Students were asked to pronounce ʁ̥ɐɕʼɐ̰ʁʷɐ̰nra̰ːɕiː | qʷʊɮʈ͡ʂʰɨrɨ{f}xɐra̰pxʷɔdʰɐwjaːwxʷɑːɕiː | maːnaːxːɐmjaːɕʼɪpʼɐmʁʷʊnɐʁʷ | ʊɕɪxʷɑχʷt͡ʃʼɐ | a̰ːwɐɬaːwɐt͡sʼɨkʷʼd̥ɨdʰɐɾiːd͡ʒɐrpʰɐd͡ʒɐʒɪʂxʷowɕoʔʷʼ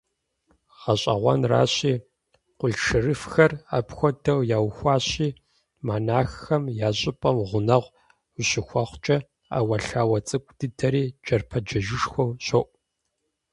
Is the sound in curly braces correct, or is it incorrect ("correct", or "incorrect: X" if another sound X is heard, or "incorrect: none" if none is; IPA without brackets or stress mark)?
correct